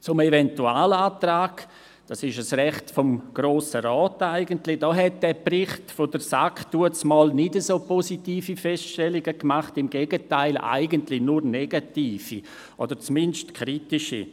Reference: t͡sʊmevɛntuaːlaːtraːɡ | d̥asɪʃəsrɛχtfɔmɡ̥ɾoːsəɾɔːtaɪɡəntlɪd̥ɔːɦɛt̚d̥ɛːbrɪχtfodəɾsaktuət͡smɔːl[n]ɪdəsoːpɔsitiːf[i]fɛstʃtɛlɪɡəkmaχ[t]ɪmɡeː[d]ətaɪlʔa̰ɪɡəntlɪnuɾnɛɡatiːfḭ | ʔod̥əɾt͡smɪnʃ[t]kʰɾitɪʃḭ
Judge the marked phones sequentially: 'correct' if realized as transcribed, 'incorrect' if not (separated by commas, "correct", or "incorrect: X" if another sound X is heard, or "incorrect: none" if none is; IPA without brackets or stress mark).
correct, correct, correct, incorrect: ɡ, correct